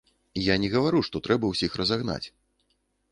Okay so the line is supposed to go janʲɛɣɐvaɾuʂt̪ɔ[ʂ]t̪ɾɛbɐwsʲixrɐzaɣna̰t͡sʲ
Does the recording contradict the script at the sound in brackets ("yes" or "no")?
yes